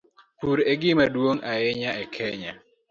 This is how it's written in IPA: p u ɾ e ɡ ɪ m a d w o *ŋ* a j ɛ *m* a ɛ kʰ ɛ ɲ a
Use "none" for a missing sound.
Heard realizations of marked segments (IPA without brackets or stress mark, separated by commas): ŋ, ɲ